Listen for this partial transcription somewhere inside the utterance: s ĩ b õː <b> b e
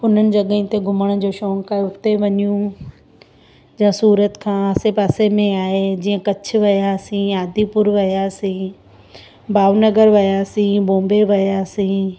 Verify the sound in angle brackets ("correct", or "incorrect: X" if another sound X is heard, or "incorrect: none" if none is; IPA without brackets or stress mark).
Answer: incorrect: m